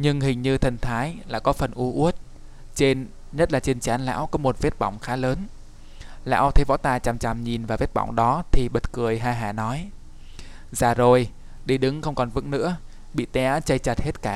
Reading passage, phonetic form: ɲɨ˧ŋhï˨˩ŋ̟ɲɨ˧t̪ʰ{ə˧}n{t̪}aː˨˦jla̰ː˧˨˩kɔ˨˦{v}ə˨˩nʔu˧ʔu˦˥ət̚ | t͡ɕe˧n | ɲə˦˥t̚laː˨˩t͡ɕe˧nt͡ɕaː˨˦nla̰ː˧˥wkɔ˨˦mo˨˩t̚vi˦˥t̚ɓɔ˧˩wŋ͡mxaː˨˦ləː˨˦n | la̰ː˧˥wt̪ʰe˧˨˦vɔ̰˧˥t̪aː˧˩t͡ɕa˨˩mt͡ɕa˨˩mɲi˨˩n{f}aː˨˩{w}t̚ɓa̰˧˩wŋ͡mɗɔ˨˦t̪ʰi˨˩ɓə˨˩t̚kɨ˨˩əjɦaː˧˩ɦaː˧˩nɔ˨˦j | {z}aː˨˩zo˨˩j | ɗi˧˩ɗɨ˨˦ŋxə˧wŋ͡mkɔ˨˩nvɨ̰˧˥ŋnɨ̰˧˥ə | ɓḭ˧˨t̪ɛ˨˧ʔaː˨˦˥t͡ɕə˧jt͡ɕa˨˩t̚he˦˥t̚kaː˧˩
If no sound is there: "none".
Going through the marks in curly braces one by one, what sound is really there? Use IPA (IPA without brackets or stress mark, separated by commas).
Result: ə˨˩, t̪ʰ, f, v, v, z